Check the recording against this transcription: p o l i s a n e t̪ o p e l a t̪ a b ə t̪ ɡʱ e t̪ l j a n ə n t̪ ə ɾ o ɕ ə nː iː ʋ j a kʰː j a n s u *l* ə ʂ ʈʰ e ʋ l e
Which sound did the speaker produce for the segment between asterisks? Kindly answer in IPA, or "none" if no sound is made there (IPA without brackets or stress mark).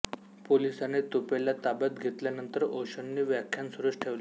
ɾ